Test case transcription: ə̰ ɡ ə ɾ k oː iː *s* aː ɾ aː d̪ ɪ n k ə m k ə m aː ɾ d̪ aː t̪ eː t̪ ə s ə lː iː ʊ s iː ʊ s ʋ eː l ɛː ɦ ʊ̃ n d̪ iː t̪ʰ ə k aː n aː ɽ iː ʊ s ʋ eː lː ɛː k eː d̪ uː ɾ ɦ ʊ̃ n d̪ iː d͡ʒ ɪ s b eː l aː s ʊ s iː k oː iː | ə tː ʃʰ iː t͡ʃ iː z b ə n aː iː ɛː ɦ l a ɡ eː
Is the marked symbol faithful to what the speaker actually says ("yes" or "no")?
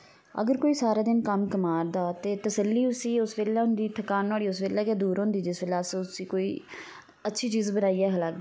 yes